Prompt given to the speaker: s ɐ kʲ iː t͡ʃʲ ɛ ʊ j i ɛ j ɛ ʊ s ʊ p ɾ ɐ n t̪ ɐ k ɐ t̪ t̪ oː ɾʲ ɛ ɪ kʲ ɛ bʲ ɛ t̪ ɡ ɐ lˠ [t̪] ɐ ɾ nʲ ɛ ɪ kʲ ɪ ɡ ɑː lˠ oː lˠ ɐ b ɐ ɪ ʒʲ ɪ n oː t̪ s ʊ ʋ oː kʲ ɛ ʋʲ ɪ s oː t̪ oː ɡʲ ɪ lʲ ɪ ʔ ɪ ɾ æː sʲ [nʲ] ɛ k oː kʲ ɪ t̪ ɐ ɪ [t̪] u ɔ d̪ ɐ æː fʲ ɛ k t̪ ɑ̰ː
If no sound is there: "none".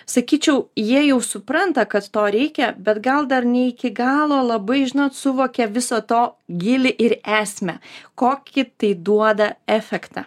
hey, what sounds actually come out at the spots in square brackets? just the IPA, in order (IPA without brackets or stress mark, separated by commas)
d̪, mʲ, d̪